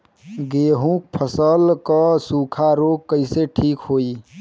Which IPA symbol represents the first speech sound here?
ɡ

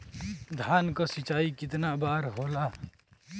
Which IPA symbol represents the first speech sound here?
d̪ʱ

